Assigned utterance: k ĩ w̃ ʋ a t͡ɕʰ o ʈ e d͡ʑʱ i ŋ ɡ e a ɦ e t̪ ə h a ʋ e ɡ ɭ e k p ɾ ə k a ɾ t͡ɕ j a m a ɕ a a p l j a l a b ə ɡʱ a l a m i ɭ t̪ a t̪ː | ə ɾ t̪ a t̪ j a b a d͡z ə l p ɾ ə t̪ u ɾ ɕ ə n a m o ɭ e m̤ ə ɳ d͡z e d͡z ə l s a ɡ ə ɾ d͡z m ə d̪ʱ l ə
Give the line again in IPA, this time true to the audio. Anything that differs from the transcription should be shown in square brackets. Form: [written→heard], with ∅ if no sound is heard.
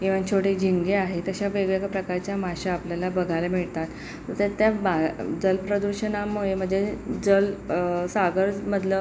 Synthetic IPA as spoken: k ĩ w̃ ʋ a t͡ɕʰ o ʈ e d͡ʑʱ i ŋ ɡ e a ɦ e t̪ ə [h→ɕ] a ʋ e ɡ ɭ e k p ɾ ə k a ɾ t͡ɕ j a m a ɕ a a p l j a l a b ə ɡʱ a l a m i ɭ t̪ a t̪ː | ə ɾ t̪ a t̪ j a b a d͡z ə l p ɾ ə [t̪→d̪] u ɾ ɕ ə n a m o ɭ e m̤ ə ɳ d͡z e d͡z ə l s a ɡ ə ɾ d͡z m ə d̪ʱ l ə